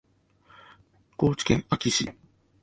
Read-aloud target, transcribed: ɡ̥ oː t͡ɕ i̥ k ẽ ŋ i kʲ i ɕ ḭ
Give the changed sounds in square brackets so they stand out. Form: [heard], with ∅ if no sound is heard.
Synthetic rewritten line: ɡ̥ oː t͡ɕ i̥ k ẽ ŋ [a] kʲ i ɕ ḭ

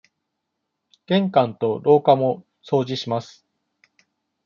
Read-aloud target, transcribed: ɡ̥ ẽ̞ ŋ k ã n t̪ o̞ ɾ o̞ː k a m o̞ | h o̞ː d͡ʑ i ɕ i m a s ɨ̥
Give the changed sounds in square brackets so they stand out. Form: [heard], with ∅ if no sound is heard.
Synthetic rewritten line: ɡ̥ ẽ̞ ŋ k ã n t̪ o̞ ɾ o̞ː k a m o̞ | [s] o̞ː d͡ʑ i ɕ i m a s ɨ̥

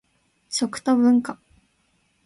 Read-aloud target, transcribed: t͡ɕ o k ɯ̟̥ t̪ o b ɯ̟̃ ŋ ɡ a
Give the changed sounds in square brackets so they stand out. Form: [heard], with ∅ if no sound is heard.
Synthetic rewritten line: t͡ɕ o k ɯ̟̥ t̪ o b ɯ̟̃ ŋ [k] a

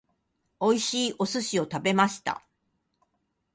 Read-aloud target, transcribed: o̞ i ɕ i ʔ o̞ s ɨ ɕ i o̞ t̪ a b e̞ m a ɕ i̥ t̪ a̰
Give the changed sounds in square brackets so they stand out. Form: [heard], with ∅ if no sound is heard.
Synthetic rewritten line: o̞ i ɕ [iː] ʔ o̞ s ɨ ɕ i o̞ t̪ a b e̞ m a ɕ i̥ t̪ a̰

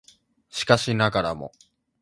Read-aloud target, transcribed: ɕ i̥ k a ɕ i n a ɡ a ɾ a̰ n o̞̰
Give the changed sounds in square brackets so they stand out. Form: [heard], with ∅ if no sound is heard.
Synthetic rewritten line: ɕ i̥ k a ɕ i n a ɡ a ɾ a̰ [m] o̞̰

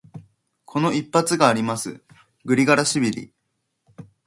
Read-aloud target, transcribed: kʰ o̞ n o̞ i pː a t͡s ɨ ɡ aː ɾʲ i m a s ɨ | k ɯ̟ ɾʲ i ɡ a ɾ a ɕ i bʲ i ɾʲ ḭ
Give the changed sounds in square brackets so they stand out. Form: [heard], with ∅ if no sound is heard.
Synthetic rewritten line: kʰ o̞ n o̞ i pː a t͡s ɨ ɡ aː ɾʲ i m a s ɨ | [ɡ] ɯ̟ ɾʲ i ɡ a ɾ a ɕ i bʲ i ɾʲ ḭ

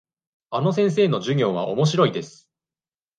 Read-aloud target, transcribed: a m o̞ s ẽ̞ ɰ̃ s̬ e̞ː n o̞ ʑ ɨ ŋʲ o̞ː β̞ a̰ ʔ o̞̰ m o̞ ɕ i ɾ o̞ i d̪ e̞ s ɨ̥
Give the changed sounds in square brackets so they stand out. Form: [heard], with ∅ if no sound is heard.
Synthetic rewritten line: a [n] o̞ s ẽ̞ ɰ̃ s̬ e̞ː n o̞ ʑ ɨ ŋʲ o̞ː β̞ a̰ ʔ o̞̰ m o̞ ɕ i ɾ o̞ i d̪ e̞ s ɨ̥

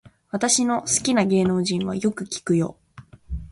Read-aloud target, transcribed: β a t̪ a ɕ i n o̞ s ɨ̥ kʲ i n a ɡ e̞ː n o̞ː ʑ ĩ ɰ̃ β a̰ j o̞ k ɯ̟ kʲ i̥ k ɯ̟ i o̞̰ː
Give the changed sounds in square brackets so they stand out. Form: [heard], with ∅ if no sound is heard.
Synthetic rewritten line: β a t̪ a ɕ i n o̞ s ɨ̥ kʲ i n a ɡ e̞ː n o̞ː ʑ ĩ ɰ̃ β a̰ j o̞ k ɯ̟ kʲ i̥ k ɯ̟ [j] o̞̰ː

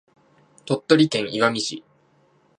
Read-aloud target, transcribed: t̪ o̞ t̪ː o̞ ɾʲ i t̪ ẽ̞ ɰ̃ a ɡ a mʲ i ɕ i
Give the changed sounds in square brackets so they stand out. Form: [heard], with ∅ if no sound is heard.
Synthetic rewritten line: t̪ o̞ t̪ː o̞ ɾʲ i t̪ ẽ̞ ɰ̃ [i] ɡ a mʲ i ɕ i

